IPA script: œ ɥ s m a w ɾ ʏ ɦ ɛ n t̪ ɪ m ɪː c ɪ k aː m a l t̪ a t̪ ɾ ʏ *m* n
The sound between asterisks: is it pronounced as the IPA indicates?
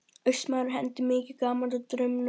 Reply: yes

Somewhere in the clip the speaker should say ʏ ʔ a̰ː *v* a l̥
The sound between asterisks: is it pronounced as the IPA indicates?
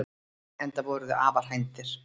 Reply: yes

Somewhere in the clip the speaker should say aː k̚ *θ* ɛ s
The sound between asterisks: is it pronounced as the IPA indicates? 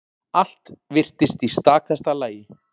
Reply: yes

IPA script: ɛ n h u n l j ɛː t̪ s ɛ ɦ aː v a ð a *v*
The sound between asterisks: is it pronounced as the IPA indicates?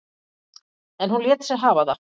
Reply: no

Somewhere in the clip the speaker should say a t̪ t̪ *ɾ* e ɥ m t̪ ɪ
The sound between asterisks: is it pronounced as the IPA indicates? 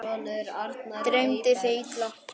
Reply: yes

